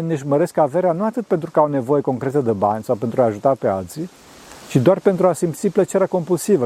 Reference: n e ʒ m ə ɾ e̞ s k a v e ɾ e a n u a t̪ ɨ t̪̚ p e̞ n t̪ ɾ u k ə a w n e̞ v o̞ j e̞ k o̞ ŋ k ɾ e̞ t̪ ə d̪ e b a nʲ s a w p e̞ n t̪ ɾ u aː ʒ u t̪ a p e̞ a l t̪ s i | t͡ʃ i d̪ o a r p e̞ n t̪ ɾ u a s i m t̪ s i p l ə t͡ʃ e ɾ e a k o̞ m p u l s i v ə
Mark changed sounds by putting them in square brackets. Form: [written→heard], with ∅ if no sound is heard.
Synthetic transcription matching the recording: n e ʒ m ə ɾ e̞ s k a v e ɾ e a n u a t̪ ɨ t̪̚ p e̞ n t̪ ɾ u k ə a w n e̞ v o̞ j e̞ k o̞ ŋ k ɾ e̞ t̪ ə d̪ e b a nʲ s a w p e̞ n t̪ ɾ u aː ʒ u t̪ a p e̞ a l t̪ s i | t͡ʃ i d̪ o a r p e̞ n t̪ ɾ u a s i m t̪ s i p l ə t͡ʃ e ɾ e a k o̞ m p u l s i v ə